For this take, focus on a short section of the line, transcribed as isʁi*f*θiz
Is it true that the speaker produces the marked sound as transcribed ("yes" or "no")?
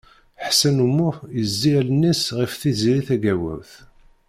yes